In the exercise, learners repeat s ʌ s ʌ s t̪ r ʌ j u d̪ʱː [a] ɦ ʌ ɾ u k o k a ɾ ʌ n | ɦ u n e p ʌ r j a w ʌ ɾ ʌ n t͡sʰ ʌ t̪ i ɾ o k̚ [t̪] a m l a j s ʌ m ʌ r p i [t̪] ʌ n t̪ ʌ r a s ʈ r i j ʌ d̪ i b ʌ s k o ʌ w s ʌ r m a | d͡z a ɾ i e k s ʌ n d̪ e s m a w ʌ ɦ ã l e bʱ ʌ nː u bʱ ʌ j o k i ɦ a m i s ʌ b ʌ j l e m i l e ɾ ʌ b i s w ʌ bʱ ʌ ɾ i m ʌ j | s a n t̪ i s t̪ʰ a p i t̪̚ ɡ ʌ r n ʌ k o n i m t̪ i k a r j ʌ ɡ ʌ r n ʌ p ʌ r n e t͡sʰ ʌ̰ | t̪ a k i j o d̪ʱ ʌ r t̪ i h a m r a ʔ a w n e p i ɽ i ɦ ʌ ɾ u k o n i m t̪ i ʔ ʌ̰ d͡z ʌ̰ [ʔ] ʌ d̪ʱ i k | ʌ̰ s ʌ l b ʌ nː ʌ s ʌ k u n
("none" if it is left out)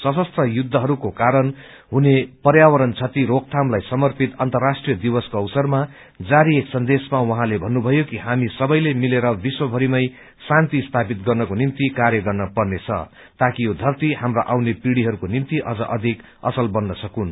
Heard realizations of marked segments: ʌ, t̪ʰ, t̪, ʔ

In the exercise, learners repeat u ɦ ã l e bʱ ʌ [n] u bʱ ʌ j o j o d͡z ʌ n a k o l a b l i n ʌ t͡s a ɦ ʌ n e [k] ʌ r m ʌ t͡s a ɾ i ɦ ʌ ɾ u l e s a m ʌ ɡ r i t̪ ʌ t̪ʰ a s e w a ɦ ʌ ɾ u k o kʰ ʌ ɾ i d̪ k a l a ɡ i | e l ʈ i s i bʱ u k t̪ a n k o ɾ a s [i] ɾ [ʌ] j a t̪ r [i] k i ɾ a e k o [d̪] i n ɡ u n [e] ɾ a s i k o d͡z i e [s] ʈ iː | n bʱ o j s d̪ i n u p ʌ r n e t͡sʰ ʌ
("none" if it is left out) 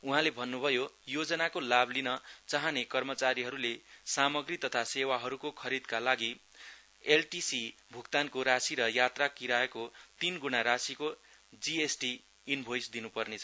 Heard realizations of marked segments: nː, k, i, ʌ, a, t̪, a, s

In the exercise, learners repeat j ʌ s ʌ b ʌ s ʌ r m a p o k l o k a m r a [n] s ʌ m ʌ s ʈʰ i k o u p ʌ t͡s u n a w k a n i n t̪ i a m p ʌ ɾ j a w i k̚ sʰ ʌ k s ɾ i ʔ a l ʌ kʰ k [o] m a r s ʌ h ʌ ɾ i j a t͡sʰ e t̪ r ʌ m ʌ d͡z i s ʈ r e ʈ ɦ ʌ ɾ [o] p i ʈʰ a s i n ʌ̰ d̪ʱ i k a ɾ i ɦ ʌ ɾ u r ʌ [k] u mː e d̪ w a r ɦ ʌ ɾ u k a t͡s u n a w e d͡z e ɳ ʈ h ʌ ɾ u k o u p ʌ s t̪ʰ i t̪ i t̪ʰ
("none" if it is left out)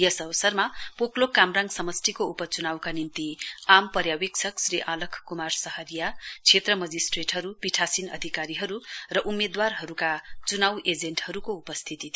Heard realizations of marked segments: ŋ, u, u, ʔ

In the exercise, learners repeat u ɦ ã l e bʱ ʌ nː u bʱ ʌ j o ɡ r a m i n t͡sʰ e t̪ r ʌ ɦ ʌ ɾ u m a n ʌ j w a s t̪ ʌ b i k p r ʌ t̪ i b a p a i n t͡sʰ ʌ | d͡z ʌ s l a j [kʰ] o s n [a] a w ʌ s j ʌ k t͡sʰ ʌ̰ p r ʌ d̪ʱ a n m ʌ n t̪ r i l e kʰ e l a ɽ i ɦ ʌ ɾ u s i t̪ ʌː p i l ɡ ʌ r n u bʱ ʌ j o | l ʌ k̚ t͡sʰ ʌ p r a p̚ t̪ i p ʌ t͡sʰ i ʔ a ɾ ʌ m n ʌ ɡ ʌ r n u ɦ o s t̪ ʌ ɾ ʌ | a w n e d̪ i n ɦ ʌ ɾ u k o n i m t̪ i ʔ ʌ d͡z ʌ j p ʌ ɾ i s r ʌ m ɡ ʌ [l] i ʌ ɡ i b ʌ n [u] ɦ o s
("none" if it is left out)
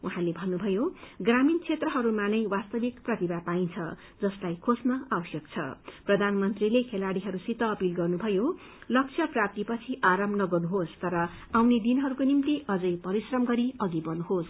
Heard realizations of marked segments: kʰ, ʌ, ɾ, u

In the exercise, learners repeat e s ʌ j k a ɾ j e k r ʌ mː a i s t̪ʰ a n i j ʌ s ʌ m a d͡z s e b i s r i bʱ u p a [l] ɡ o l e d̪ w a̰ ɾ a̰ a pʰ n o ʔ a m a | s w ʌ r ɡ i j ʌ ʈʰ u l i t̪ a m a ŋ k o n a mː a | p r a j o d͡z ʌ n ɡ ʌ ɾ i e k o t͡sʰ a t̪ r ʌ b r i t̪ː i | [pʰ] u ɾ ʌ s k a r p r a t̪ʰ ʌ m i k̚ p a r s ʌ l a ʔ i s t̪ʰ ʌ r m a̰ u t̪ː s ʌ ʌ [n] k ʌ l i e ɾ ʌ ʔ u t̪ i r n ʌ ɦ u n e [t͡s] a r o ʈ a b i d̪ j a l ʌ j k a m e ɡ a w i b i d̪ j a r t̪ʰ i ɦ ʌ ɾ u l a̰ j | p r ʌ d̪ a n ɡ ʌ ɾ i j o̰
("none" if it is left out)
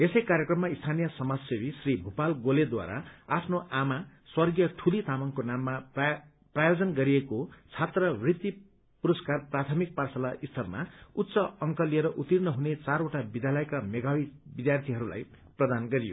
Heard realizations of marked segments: l, p, ŋ, t͡s

